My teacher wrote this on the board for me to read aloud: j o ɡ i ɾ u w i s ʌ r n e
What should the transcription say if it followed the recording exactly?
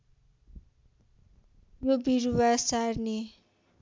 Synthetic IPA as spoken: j o b i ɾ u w a s a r n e